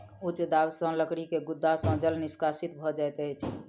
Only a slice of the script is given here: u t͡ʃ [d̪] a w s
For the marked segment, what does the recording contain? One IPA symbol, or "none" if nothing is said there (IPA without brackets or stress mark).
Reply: d̪